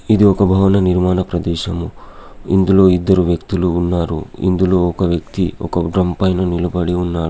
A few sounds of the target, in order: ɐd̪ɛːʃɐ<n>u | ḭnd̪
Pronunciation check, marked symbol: incorrect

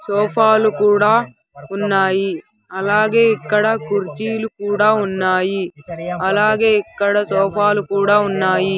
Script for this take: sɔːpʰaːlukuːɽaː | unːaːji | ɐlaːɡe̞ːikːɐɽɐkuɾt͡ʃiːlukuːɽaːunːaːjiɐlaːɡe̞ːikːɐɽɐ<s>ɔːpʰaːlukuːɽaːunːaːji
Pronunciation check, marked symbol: correct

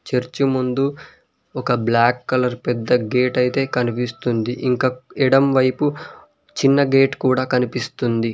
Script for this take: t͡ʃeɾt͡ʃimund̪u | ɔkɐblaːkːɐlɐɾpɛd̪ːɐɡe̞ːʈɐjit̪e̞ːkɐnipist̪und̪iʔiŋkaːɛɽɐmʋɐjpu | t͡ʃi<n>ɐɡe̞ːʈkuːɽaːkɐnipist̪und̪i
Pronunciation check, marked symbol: incorrect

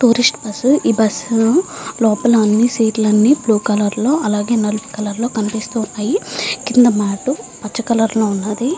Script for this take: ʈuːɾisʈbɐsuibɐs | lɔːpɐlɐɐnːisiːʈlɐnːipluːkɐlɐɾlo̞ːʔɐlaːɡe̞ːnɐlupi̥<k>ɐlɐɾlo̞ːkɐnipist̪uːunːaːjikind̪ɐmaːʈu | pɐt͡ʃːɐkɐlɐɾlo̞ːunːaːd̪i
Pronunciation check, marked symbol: correct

